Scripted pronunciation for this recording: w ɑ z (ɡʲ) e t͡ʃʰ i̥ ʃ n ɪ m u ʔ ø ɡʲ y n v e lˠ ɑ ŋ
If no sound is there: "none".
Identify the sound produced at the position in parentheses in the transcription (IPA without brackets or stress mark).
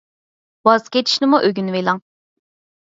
kʲ